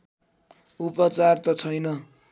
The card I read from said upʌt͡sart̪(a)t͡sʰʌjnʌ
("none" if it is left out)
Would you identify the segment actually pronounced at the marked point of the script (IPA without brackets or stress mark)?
ʌ